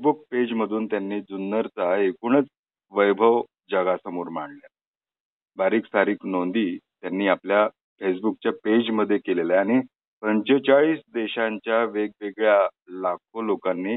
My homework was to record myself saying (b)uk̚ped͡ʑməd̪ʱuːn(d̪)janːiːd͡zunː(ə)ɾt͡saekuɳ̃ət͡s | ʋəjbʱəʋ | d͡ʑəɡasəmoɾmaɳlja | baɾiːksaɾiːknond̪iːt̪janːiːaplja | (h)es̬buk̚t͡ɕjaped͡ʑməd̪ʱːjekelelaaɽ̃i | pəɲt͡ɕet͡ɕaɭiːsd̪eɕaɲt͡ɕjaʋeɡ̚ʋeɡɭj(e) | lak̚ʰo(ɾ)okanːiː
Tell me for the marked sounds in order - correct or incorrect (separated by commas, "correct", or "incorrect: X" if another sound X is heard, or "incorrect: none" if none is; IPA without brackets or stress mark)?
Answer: correct, incorrect: t̪, correct, incorrect: f, incorrect: a, incorrect: l